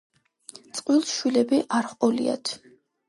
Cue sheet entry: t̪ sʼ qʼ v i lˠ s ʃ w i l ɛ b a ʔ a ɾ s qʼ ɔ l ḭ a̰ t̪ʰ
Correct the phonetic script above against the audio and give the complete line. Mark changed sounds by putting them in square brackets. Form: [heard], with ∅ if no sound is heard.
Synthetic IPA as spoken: t̪ sʼ qʼ [w] i lˠ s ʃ w i l ɛ b [i] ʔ a ɾ [χ] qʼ ɔ l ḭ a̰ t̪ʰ